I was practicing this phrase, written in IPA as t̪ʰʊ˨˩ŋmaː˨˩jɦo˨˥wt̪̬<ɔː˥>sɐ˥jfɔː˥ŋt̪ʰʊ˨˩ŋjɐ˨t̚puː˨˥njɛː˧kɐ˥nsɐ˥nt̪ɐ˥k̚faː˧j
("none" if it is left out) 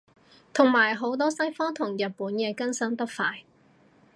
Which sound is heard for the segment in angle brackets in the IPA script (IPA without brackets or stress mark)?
ɔː˥